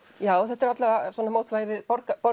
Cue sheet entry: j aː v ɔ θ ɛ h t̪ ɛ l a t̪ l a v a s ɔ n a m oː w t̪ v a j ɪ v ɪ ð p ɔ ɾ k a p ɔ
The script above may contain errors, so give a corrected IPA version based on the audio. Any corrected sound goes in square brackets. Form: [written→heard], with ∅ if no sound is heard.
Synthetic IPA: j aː [v→w] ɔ θ ɛ h t̪ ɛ [l→ɾ] a t̪ l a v a s ɔ n a m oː w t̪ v a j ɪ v ɪ ð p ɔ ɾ k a p ɔ

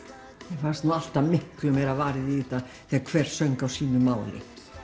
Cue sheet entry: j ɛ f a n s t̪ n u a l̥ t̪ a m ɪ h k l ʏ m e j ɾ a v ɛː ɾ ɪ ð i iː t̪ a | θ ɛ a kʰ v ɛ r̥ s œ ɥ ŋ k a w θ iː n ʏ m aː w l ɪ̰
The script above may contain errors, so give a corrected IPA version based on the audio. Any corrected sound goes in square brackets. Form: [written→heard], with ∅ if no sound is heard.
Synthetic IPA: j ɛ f a n s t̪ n u a l̥ t̪ a m ɪ h k l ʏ m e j ɾ a v [ɛː→aː] ɾ ɪ ð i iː t̪ a | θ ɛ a kʰ v ɛ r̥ s œ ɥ ŋ k a w [θ→s] iː n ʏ m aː w l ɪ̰

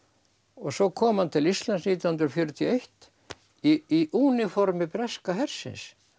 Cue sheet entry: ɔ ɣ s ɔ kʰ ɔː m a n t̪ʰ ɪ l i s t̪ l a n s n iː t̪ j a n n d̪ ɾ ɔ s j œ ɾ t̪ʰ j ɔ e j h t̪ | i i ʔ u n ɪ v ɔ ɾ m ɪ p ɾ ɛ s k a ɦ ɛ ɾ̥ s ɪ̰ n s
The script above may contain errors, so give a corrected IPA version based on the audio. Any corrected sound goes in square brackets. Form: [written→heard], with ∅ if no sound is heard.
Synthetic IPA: ɔ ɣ s ɔ kʰ ɔː m a n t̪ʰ ɪ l i s t̪ l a n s n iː t̪ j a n n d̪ ɾ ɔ [s→f] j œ ɾ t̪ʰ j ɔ e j h t̪ | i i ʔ u n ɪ [v→f] ɔ ɾ m ɪ p ɾ ɛ s k a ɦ ɛ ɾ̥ s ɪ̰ n s

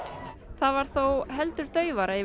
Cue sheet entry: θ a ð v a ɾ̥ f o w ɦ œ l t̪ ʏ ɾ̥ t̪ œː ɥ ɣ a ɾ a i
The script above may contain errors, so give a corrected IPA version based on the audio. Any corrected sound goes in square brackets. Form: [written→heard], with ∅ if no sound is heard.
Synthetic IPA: θ a ð v a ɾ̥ [f→θ] o w ɦ [œ→ɛ] l t̪ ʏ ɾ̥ t̪ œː ɥ [ɣ→v] a ɾ a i

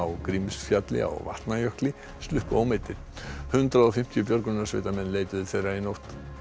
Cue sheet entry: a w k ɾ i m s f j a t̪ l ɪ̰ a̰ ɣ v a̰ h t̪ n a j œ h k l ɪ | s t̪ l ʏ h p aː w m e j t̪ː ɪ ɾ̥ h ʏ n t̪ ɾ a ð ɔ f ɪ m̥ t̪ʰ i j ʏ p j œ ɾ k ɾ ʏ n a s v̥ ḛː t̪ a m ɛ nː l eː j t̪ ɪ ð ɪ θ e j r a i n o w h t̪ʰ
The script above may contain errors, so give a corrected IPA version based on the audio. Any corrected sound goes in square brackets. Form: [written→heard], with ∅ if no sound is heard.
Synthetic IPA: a w k ɾ i m s f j a t̪ l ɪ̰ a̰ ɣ v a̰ h t̪ n a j œ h k l ɪ | s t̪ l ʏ h p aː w m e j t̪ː ɪ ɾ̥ h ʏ n t̪ ɾ a ð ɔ f ɪ m̥ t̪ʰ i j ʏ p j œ ɾ k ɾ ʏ n a s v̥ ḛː t̪ a m ɛ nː l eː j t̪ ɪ ð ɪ θ e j r a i n o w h [t̪ʰ→t̪]

